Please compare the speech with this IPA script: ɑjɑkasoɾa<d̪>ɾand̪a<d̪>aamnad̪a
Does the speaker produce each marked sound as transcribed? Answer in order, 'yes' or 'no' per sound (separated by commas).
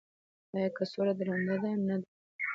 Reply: yes, yes